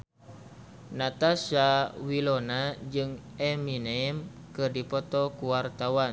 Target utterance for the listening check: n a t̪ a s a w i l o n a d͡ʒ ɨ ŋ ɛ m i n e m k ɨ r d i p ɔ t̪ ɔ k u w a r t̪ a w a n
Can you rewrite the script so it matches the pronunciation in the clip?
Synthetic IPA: n a t̪ a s a w i l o n a d͡ʒ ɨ ŋ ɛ m i n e m k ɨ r d i p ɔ t̪ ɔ k u w a r t̪ a w a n